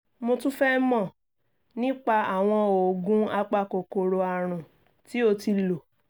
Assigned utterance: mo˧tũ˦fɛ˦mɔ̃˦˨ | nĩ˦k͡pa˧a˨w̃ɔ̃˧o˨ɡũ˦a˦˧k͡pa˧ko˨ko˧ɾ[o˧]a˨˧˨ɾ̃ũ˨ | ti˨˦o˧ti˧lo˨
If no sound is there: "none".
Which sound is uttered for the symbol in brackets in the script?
o˧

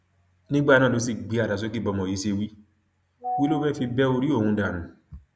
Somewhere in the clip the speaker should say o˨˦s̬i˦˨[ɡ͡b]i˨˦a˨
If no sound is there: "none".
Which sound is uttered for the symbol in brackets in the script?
ɡ͡b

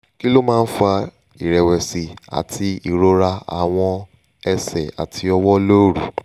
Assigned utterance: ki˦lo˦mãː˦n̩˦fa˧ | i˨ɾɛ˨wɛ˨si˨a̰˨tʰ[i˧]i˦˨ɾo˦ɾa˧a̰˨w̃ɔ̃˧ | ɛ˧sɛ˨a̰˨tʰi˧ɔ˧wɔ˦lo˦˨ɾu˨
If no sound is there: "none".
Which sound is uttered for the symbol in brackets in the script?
i˧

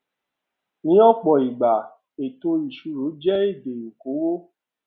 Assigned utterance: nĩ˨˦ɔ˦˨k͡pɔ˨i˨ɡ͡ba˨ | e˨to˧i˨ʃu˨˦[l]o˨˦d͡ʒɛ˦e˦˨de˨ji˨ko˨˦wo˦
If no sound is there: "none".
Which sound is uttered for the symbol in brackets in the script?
ɾ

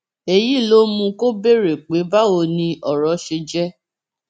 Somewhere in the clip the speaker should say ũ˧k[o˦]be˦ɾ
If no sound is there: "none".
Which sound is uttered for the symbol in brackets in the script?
o˦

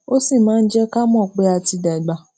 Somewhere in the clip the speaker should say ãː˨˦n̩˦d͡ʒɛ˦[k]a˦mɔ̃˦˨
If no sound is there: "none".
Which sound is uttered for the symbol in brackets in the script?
k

